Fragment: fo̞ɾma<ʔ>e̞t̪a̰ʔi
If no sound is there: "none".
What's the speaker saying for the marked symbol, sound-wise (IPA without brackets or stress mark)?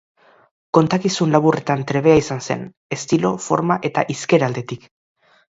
ʔ